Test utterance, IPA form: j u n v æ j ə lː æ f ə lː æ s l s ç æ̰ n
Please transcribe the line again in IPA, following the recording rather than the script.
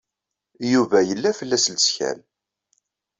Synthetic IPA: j u v æ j ə lː æ f ə lː æ s l s ç æ̰ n